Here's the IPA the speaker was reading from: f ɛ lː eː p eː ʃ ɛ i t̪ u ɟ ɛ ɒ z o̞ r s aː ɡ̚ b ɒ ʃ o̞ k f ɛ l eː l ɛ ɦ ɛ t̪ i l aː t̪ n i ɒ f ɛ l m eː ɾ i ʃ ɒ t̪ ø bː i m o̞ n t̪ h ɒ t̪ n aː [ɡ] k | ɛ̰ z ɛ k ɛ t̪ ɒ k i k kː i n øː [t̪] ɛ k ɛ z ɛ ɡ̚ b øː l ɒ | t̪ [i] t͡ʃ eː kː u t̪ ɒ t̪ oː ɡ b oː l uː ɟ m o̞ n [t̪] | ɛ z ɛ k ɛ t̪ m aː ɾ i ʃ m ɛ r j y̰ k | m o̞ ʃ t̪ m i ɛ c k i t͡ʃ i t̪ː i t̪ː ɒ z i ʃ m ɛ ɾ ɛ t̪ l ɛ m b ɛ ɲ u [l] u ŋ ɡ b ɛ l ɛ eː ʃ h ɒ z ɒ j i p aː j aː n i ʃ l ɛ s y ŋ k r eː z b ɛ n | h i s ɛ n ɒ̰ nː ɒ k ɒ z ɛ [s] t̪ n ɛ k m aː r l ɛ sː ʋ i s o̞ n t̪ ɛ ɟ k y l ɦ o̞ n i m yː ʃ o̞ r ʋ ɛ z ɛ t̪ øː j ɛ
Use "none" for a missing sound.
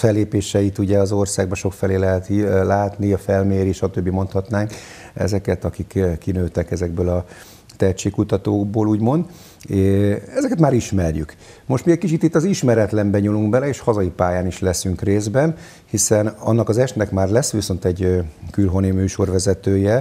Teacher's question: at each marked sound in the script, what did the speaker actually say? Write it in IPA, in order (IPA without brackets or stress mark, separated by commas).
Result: ŋ, t̪, ɛ, d̪, l, ʃ